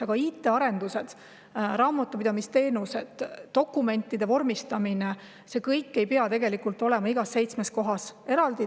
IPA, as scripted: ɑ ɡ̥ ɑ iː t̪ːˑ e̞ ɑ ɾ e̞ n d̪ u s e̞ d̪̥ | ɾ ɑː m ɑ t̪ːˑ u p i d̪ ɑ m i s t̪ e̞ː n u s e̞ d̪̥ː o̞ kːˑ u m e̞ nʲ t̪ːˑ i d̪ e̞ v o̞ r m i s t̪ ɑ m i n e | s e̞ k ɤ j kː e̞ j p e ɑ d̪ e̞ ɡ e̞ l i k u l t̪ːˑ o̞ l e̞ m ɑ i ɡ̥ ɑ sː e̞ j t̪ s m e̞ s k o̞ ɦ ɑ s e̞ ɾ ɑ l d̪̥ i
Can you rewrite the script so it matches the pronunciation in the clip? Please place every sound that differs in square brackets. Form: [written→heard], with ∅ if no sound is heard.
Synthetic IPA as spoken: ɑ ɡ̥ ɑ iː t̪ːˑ e̞ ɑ ɾ e̞ n d̪ u s e̞ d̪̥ | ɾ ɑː m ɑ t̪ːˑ u p i d̪ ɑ m i s t̪ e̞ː n u s e̞ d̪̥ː o̞ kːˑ u m e̞ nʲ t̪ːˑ i d̪ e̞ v o̞ r m i s t̪ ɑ m i n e | s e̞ k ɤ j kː e̞ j p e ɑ [d̪→t̪] e̞ ɡ e̞ l i k u l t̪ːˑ o̞ l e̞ m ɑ i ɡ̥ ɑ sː e̞ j t̪ s m e̞ s k o̞ ɦ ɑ s e̞ ɾ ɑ l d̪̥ i